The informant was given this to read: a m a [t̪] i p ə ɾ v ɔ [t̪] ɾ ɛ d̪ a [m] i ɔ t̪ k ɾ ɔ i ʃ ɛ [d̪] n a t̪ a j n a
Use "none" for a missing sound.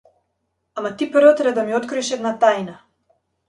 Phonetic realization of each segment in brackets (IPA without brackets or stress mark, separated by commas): t̪, t̪, m, d̪